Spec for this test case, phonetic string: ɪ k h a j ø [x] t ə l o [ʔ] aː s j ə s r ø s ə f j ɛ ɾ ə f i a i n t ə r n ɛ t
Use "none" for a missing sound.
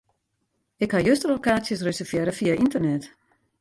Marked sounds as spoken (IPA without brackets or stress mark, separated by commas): s, k